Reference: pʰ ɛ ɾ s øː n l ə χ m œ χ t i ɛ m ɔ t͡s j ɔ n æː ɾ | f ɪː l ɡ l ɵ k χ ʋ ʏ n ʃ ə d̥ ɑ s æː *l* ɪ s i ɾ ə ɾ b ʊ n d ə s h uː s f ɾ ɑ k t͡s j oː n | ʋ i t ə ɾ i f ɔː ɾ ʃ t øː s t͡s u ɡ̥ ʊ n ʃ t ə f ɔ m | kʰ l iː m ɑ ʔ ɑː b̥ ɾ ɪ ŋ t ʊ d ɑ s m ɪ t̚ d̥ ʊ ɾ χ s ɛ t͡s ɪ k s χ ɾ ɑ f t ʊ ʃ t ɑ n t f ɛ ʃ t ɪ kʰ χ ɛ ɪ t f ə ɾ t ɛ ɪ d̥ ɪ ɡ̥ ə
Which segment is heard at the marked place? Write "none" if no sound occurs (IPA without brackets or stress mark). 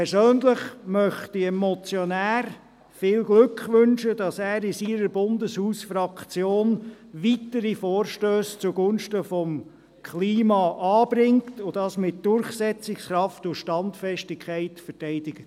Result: ɾ